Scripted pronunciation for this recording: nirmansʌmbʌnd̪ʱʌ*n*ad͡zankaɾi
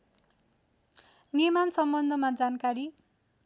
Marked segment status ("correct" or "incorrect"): incorrect